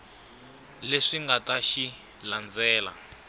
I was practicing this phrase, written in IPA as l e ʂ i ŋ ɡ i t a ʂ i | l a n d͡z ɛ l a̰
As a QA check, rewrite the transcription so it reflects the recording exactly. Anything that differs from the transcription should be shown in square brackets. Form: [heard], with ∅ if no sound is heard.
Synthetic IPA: l e ʂ i ŋ ɡ [a] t a [ʃ] i | l a n d͡z [ɛː] l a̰